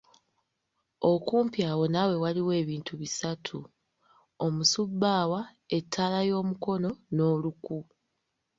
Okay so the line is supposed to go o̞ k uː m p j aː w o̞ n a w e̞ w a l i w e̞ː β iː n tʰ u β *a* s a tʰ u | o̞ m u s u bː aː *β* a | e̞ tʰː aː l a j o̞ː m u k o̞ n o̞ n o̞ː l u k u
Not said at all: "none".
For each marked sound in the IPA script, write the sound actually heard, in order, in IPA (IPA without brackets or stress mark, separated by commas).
i, w